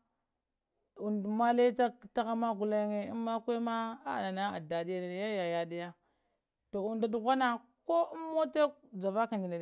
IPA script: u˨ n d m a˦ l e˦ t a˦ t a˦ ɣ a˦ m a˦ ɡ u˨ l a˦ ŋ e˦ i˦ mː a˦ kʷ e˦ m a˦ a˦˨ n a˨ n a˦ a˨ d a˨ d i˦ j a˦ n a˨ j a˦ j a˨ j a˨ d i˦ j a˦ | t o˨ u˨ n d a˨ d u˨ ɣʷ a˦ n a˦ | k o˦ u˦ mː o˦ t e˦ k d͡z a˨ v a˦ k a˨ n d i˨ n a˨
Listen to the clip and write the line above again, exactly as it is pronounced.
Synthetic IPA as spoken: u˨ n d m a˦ l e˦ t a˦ t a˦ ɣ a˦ m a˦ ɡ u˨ l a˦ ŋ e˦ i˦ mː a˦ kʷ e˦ m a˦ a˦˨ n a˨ n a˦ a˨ d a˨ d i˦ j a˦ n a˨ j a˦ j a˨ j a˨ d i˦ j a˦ | t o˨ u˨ n d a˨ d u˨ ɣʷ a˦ n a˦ | k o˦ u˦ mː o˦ t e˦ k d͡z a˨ v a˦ k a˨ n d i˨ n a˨